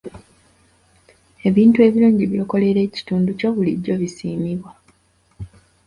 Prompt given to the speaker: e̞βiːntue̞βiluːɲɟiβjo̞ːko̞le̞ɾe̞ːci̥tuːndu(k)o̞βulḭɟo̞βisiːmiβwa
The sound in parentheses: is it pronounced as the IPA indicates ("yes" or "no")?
no